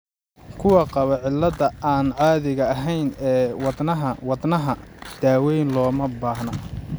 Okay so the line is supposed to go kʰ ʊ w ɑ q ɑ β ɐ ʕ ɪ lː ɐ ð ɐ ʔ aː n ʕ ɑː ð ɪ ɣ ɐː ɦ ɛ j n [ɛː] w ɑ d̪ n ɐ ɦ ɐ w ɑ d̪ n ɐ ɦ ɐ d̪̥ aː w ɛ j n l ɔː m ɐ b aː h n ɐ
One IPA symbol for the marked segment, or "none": ɛː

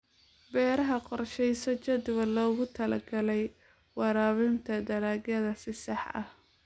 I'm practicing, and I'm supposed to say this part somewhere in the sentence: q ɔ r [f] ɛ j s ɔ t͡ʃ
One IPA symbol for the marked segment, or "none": ʃ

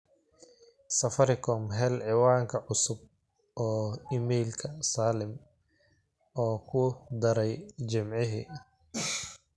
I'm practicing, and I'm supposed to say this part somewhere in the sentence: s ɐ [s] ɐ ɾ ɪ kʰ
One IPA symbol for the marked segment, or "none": f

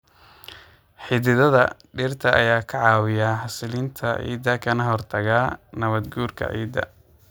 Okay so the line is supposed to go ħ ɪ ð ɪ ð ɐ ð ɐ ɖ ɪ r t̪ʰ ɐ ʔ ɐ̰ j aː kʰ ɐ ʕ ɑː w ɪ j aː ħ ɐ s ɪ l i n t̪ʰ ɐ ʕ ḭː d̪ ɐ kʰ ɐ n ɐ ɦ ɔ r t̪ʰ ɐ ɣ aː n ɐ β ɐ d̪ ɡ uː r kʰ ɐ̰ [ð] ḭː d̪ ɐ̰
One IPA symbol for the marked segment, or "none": ʕ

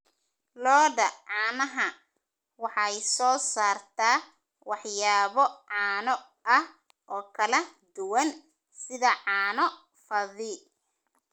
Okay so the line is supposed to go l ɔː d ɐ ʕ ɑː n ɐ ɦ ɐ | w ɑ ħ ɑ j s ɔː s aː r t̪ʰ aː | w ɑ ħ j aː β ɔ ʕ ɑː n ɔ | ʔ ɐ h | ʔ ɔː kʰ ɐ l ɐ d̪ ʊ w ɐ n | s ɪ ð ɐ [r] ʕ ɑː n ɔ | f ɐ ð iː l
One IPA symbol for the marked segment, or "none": none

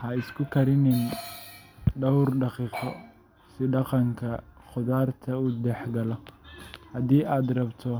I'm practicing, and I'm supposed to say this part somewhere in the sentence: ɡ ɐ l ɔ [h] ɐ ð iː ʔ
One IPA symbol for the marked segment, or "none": h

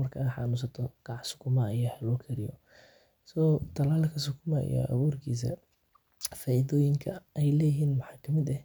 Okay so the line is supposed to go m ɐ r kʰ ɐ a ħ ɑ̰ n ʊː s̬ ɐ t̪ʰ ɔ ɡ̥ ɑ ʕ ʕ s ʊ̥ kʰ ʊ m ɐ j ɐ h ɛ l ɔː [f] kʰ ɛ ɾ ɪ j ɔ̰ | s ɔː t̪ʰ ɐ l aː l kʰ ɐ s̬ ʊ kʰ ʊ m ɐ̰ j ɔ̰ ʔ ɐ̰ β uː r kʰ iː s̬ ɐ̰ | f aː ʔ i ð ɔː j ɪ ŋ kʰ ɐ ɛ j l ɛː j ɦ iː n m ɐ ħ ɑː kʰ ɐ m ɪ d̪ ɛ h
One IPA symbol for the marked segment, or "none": none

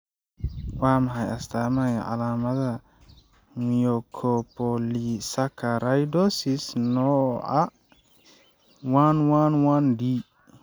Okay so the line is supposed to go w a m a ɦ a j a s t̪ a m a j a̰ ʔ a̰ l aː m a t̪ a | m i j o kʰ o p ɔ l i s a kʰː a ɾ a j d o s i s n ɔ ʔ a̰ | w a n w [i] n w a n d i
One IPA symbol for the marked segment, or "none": a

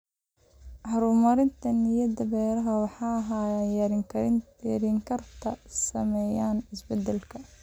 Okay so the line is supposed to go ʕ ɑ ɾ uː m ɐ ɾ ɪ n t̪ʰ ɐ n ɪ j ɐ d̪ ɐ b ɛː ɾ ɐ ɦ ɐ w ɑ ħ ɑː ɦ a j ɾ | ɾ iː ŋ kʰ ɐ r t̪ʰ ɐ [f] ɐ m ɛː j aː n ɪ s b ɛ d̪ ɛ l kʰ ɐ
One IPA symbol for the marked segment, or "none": s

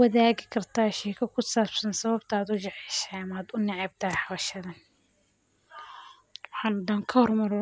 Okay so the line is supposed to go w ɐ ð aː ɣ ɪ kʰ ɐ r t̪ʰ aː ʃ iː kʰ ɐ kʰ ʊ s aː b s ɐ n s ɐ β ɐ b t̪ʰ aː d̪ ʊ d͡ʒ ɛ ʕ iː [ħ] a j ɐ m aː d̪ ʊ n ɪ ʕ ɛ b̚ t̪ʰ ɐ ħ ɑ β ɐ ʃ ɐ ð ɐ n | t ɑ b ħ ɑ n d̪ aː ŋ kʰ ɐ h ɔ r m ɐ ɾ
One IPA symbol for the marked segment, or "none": ʃ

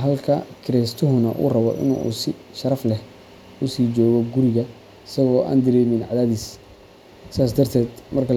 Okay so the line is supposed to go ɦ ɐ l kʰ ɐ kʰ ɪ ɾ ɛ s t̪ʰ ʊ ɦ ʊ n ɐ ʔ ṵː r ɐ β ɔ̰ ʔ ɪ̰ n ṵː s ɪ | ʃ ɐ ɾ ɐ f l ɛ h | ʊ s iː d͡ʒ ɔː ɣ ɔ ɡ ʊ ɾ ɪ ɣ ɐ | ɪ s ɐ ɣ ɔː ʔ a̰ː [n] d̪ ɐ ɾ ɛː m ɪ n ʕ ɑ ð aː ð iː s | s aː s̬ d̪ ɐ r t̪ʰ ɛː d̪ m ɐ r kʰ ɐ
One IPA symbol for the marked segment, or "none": n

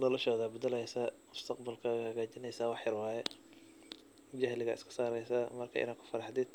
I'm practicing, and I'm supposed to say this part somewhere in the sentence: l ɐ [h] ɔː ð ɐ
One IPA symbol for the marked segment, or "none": ʃ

